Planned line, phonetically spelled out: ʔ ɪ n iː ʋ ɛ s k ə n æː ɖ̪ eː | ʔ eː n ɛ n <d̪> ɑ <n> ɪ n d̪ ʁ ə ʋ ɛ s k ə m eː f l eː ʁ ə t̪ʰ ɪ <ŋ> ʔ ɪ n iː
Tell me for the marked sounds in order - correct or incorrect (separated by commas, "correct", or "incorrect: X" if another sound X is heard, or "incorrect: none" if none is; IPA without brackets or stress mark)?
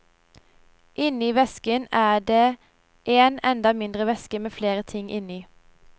correct, incorrect: m, correct